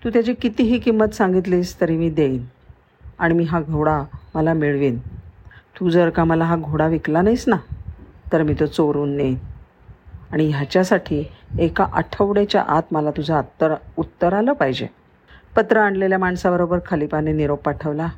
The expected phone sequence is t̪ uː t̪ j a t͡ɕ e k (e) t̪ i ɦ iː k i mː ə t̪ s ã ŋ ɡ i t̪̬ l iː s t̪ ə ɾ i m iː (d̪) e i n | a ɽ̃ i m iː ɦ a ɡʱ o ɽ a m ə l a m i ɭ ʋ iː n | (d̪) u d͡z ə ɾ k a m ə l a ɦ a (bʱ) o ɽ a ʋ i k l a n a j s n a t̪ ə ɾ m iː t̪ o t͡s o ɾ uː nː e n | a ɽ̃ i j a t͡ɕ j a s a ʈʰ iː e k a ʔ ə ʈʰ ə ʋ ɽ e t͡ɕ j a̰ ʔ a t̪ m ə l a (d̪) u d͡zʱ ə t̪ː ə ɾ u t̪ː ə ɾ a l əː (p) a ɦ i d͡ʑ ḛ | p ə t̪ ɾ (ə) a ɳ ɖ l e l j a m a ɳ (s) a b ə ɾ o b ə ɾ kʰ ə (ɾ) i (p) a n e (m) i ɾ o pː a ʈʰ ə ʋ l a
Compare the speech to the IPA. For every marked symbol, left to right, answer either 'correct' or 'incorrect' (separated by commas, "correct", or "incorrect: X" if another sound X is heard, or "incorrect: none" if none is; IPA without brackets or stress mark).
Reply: incorrect: i, correct, incorrect: t̪, incorrect: ɡʱ, incorrect: t̪, correct, correct, correct, incorrect: l, correct, incorrect: n